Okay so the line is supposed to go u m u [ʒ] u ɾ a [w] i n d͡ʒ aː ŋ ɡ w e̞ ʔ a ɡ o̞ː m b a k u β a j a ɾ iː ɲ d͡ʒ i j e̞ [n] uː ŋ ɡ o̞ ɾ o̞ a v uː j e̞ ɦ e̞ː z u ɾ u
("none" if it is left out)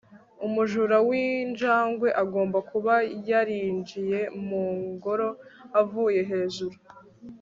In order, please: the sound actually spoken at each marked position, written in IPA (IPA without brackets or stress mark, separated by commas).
ʒ, w, m